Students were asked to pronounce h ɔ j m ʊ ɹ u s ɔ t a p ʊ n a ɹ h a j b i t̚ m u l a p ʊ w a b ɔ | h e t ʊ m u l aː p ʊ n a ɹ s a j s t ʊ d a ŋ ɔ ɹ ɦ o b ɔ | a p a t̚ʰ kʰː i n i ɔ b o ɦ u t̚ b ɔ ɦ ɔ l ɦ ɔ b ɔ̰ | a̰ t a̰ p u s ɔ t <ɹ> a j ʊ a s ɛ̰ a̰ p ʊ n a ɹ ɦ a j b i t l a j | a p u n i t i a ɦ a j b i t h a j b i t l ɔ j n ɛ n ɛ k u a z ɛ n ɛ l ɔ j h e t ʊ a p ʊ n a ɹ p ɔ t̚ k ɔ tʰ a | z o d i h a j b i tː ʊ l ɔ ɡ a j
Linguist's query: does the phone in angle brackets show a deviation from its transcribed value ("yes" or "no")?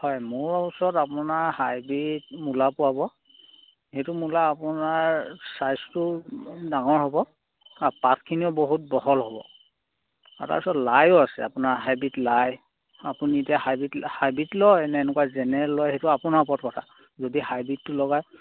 yes